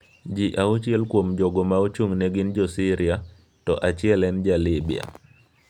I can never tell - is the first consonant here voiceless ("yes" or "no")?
no